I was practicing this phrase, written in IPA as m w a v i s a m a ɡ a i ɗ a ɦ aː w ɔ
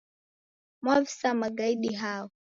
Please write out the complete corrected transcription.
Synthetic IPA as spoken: m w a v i s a m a ɡ a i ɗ i ɦ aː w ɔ